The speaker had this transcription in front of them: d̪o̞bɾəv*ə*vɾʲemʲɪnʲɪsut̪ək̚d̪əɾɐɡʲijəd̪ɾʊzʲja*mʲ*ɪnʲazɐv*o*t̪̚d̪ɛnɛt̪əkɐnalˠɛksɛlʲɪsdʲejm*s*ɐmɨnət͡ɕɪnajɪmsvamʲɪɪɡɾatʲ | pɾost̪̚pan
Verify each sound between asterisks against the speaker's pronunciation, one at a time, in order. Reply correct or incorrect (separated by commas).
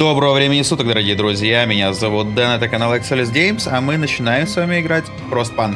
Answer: correct, correct, incorrect, correct